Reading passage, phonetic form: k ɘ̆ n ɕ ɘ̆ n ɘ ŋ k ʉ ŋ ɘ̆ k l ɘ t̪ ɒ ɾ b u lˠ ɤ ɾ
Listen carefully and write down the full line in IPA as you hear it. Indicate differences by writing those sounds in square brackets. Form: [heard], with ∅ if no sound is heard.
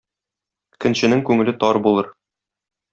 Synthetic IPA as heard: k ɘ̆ n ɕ ɘ̆ n ɘ ŋ k ʉ ŋ ɘ̆ [∅] l ɘ t̪ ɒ ɾ b u lˠ ɤ ɾ